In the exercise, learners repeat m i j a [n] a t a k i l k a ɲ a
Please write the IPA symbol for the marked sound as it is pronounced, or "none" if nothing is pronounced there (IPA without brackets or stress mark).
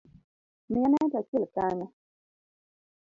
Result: n